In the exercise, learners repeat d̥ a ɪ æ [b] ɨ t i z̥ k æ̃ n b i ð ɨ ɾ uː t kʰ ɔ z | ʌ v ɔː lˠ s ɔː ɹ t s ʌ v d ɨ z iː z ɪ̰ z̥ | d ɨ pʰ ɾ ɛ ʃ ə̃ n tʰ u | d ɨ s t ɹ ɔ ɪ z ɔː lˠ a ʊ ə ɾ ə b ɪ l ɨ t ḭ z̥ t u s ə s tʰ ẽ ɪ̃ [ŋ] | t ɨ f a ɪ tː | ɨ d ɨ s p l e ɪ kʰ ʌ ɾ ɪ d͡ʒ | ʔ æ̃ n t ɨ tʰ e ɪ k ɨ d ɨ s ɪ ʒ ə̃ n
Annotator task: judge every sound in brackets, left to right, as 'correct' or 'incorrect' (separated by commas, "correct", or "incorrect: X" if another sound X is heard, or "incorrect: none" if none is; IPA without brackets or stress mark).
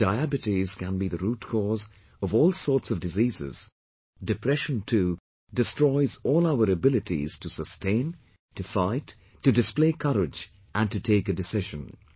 correct, incorrect: n